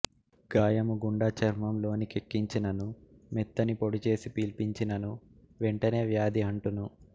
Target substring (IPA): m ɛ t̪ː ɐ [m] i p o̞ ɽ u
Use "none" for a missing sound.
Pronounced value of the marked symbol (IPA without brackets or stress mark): n